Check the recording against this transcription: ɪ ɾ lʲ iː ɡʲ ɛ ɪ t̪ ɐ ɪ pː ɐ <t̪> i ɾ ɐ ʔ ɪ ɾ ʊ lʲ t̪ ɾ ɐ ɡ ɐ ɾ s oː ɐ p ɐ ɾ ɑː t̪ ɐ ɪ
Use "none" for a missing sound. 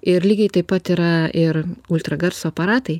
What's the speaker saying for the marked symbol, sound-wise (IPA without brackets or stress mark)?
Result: t̪